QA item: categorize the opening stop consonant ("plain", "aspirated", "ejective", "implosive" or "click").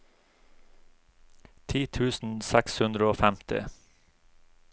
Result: aspirated